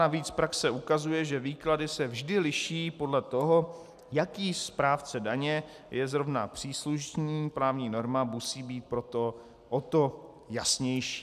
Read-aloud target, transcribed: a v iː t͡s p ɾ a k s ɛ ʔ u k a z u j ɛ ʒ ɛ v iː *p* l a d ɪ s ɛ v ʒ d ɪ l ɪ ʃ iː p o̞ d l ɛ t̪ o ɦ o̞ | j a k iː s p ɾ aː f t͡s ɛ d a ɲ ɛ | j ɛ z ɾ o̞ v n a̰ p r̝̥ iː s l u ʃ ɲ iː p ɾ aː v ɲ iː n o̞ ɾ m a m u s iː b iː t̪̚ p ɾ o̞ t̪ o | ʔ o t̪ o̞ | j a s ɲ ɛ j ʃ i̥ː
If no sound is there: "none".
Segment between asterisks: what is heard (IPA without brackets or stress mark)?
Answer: k